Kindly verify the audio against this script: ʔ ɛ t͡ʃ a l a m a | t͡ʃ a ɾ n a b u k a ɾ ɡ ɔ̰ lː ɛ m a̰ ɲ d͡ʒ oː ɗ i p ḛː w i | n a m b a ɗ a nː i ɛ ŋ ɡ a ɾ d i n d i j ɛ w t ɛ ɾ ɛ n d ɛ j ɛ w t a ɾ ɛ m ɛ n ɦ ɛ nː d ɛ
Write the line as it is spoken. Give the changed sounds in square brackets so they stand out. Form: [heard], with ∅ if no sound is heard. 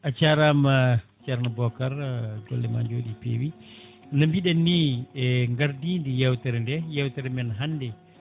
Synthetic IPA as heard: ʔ [a] t͡ʃ a [ɾ] a m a | t͡ʃ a ɾ n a b [ɔ] k a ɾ ɡ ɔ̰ lː ɛ m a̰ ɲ d͡ʒ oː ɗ i p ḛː w i | n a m b [i] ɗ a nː i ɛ ŋ ɡ a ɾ d i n d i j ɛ w t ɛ ɾ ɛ n d ɛ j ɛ w t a ɾ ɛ m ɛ n ɦ [a] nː d ɛ